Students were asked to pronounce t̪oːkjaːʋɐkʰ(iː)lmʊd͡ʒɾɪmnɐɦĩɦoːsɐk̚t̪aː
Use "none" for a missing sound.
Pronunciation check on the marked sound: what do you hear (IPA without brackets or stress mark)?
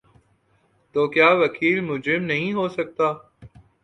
iː